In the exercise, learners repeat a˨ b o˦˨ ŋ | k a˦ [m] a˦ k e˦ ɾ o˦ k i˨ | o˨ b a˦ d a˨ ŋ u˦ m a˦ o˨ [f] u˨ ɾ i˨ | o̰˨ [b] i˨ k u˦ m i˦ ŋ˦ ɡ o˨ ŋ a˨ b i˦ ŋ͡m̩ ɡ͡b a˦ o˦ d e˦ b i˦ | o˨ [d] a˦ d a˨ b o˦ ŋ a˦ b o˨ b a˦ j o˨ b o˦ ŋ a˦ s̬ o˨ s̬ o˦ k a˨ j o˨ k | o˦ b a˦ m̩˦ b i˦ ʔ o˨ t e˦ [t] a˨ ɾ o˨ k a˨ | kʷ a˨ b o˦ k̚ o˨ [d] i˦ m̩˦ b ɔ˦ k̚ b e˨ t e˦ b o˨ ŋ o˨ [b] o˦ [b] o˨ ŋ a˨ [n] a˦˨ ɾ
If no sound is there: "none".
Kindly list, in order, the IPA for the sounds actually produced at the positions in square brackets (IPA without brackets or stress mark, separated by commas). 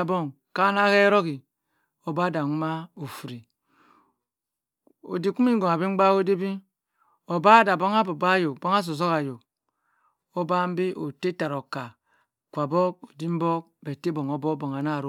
n, f, d, b, t, d, b, b, n